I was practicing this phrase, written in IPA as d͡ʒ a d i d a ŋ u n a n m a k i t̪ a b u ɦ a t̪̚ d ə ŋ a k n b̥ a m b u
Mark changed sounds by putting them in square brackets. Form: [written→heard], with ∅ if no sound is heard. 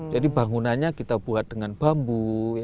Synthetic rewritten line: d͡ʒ a d i [d→b] a ŋ u n a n [m→ɲ] a k i t̪ a b u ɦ a t̪̚ d ə ŋ a [k→∅] n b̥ a m b u